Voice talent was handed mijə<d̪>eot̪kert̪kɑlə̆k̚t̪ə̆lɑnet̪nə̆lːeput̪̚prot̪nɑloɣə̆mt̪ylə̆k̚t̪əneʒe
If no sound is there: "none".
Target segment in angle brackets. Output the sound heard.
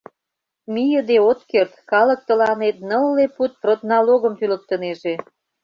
d̪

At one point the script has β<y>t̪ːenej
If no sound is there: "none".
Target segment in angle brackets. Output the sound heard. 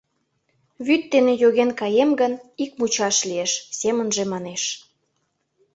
y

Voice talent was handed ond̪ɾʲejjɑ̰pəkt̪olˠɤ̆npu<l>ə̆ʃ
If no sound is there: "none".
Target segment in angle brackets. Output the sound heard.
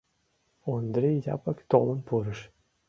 ɾ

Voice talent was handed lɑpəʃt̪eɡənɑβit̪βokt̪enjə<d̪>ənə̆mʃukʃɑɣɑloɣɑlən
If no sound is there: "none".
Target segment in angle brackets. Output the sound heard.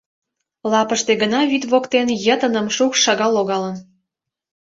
t̪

